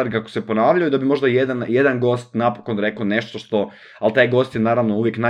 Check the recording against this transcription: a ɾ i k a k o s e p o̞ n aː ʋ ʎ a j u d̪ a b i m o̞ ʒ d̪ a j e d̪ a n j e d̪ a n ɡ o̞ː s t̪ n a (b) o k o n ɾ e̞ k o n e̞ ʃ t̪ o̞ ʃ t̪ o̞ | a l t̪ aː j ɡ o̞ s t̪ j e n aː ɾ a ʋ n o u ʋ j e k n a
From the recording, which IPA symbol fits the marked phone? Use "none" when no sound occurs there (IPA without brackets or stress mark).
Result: p